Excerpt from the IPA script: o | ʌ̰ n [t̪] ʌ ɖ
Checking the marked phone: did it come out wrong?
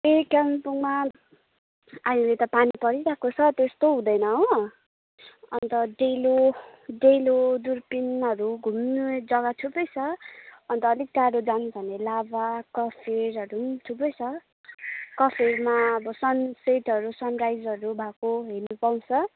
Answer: no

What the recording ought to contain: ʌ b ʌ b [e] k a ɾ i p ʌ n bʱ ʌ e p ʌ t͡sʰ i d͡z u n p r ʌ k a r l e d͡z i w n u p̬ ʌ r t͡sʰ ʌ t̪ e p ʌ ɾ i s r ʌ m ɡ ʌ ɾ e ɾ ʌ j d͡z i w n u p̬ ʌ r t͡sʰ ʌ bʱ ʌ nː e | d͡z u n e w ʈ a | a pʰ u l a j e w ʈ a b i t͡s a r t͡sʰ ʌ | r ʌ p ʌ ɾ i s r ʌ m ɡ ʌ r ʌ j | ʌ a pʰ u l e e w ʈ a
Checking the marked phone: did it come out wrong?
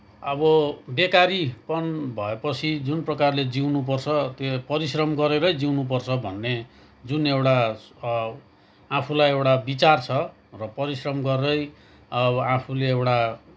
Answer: no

